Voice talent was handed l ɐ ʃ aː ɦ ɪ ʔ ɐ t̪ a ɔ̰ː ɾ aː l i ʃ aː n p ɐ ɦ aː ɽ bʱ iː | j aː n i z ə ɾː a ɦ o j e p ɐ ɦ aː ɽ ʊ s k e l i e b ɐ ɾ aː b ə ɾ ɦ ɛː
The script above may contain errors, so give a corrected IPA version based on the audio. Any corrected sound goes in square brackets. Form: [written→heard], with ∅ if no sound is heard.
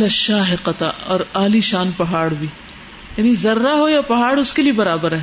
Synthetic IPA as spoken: l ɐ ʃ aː ɦ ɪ [ʔ→q] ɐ t̪ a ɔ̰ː ɾ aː l i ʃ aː n p ɐ ɦ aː ɽ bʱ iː | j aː n i z [ə→ɐ] ɾː a ɦ o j [e→a] p ɐ ɦ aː ɽ ʊ s k e l i e b ɐ ɾ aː b ə ɾ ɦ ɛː